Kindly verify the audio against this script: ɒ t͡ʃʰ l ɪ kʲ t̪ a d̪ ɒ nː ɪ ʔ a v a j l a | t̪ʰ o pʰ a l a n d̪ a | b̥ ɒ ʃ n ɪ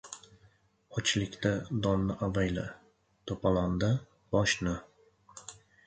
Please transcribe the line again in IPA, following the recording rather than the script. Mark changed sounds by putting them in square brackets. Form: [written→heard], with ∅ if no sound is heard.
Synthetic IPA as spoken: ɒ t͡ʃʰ l ɪ kʲ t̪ a d̪ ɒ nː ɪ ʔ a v a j l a | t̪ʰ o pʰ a l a n d̪ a | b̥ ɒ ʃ n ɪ